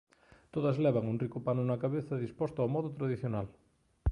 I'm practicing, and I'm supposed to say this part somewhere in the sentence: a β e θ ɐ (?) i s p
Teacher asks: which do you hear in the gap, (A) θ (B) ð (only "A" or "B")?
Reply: B